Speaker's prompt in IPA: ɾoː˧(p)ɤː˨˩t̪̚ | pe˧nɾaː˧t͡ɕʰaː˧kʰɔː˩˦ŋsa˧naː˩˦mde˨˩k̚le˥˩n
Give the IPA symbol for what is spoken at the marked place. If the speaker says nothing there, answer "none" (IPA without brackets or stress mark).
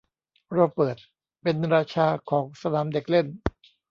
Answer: p